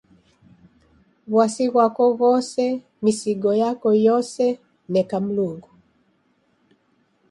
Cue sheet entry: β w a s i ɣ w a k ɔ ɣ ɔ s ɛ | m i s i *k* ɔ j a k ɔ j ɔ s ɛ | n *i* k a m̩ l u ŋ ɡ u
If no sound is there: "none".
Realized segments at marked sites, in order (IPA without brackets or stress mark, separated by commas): ɡ, ɛ